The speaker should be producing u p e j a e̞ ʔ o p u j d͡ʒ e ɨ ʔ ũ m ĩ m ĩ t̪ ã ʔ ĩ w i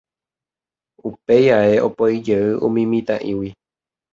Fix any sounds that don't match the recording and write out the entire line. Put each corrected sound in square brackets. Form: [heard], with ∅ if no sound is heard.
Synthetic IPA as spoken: u p e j a e̞ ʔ o p [o] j d͡ʒ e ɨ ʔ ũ m ĩ m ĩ t̪ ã ʔ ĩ w i